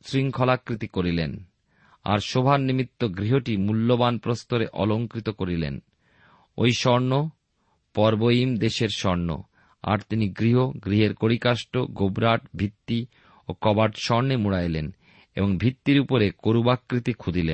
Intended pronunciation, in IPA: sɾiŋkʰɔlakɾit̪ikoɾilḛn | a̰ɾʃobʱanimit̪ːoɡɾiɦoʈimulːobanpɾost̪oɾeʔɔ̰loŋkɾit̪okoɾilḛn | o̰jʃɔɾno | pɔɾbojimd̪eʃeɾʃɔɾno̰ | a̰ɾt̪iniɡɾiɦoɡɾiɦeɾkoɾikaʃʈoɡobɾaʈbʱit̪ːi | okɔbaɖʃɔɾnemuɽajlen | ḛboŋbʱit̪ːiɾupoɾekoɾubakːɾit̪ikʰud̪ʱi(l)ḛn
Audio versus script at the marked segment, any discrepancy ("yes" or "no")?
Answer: no